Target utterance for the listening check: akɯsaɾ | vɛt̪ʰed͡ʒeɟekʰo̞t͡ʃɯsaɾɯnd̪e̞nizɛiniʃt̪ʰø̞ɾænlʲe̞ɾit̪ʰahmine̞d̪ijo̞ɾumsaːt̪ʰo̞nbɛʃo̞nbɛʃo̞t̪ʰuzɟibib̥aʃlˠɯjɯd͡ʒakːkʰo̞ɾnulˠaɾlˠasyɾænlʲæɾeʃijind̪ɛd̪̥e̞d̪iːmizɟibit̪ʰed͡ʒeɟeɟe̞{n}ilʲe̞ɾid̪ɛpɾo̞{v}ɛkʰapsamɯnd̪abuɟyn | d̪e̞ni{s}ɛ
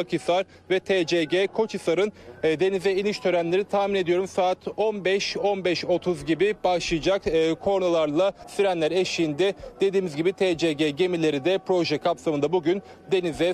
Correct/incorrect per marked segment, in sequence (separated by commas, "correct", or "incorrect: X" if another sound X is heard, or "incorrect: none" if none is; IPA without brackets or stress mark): incorrect: m, incorrect: ʒ, incorrect: z